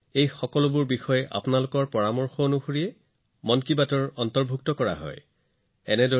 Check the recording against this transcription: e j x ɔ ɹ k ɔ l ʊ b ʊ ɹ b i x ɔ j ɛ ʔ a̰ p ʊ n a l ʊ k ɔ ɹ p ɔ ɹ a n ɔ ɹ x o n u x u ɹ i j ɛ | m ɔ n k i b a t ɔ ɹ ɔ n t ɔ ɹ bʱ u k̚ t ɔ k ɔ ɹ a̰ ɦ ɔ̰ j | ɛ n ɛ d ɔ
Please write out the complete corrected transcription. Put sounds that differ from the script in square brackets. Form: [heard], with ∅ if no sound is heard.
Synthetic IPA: e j x ɔ [∅] k ɔ l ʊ b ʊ ɹ b i x ɔ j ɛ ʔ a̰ p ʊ n a l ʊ k ɔ ɹ p ɔ ɹ a [m] ɔ ɹ x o n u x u ɹ i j ɛ | m ɔ n k i b a t ɔ ɹ ɔ n t ɔ ɹ bʱ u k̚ t ɔ k ɔ ɹ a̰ ɦ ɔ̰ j | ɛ n ɛ d ɔ